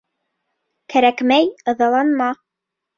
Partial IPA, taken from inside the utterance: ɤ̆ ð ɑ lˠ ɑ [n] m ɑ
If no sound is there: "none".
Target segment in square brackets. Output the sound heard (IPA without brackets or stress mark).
n